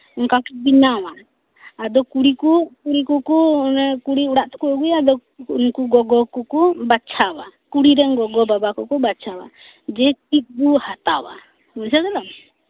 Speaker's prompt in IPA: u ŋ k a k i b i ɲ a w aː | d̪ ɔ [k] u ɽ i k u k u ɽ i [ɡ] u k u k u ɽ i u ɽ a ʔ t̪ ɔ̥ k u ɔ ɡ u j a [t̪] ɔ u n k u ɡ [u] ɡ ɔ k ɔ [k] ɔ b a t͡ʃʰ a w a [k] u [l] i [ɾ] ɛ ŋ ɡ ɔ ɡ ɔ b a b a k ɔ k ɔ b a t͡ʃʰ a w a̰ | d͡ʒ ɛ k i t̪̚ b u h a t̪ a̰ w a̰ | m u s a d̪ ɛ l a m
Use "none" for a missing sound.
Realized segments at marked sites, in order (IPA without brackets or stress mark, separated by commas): k, k, d̪, ɔ, k, k, ɽ, ɾ